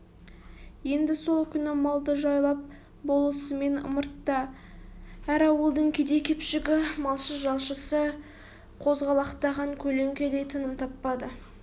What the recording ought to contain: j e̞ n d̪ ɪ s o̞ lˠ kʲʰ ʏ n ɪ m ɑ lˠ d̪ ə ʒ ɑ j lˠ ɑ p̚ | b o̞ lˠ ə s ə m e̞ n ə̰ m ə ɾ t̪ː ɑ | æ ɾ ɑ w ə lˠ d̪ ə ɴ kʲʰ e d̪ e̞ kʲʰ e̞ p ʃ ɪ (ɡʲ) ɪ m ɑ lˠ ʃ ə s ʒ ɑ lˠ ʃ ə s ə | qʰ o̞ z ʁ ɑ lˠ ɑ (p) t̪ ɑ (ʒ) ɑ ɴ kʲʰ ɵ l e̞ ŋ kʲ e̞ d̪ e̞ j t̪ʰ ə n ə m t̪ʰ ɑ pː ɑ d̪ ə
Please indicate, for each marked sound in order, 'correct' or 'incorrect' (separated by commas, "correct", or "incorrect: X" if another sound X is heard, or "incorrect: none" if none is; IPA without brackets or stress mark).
correct, incorrect: q, incorrect: ʁ